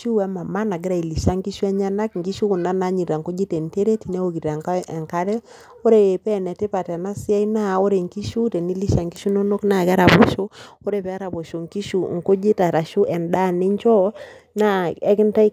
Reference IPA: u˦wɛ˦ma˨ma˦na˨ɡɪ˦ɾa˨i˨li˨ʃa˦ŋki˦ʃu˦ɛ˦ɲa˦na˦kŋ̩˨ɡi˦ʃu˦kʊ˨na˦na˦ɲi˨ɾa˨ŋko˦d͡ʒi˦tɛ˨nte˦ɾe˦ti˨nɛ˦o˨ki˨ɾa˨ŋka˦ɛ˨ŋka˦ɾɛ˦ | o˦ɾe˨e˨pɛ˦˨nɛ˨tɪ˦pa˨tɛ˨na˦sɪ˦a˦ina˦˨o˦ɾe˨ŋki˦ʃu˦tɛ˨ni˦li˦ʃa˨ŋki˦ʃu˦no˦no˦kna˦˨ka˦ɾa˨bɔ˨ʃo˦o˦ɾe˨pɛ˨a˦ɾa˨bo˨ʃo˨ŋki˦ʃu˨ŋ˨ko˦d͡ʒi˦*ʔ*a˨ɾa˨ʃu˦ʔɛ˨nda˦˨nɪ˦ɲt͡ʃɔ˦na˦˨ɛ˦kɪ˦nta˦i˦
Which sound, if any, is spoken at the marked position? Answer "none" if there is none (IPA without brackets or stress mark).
t